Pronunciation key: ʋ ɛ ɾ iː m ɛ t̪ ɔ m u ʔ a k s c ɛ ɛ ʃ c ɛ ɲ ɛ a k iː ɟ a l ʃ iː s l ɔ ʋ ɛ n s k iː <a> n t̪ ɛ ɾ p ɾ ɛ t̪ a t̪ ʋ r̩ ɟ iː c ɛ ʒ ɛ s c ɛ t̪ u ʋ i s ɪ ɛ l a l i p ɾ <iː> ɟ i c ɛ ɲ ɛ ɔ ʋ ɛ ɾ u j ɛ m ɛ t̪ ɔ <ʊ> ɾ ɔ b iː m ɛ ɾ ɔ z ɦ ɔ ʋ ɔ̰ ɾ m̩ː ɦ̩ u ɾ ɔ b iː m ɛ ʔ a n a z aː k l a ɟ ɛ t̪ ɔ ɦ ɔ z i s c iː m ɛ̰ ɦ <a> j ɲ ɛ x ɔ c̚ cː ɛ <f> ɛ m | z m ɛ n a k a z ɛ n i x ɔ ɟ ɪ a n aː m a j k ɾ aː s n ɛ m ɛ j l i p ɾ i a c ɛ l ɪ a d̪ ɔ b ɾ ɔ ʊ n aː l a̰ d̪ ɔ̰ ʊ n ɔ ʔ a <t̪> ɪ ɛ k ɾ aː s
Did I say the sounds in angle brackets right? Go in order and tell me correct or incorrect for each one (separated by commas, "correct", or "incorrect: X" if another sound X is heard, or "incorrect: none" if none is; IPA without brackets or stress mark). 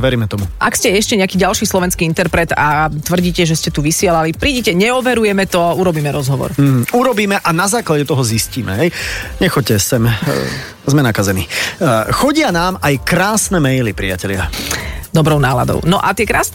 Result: incorrect: i, correct, incorrect: u, incorrect: ɛ, incorrect: s, correct